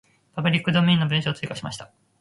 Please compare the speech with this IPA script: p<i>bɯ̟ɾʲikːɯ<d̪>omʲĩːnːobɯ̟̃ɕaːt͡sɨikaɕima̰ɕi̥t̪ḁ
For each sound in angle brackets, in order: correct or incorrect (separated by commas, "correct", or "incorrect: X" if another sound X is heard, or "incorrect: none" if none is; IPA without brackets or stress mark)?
incorrect: a, correct